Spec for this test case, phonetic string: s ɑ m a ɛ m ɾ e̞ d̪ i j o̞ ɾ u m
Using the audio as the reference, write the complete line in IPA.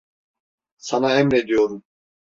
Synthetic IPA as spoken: s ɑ n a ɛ m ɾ e̞ d̪ i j o̞ ɾ u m